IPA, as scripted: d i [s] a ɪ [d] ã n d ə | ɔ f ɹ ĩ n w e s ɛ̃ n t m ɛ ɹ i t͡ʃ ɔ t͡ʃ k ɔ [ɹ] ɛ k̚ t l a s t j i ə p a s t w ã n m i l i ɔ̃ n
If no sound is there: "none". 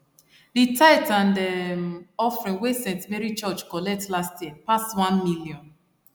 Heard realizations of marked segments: t, t, l

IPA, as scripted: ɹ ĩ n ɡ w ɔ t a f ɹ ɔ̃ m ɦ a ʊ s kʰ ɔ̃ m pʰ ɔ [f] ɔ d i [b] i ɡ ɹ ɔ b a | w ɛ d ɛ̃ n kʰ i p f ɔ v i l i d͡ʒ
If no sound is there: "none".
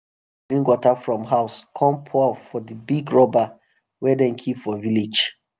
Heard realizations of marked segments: f, b

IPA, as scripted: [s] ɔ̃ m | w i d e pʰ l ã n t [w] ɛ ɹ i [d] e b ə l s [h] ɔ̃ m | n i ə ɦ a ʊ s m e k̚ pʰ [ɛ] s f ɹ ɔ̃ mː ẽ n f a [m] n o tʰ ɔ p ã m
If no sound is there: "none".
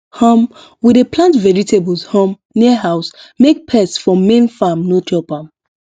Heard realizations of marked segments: h, v, t, h, ɛ, m

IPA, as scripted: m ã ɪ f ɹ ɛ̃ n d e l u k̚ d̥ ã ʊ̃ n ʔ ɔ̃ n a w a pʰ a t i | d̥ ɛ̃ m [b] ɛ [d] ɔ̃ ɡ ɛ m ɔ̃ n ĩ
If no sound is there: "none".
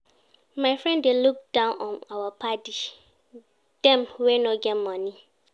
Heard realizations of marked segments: w, n

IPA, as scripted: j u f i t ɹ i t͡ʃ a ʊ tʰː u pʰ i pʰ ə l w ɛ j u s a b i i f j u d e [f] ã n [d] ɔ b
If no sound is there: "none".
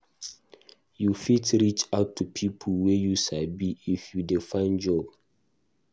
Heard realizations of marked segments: f, d͡ʒ

